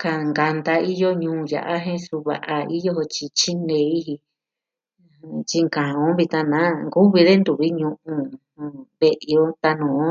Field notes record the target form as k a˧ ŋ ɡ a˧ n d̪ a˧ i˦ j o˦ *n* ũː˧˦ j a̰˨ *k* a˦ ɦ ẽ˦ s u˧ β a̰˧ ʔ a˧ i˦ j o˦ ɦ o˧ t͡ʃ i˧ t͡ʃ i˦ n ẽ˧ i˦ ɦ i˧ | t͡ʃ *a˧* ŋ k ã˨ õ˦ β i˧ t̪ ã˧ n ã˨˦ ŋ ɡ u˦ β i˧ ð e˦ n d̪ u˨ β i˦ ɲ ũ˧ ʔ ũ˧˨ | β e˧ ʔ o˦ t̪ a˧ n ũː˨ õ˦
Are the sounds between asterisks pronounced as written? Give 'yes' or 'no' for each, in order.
no, no, no

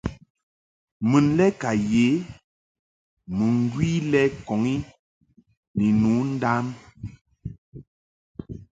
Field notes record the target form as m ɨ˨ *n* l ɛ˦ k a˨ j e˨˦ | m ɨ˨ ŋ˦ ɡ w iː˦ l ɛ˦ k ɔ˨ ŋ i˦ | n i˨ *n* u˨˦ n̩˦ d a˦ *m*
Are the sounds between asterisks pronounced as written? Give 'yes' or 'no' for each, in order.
yes, yes, yes

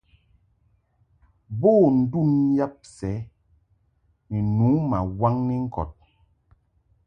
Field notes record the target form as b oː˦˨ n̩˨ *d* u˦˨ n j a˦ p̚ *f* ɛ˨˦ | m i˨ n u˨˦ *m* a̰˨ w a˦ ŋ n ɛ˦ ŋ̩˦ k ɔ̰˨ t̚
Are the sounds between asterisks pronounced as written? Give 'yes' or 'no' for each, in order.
yes, no, yes

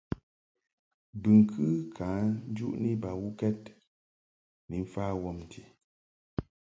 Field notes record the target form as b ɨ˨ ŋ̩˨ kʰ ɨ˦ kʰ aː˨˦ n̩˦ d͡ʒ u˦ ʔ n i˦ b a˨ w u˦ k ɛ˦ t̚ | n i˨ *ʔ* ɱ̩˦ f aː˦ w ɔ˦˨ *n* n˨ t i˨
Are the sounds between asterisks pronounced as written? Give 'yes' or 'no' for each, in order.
no, no

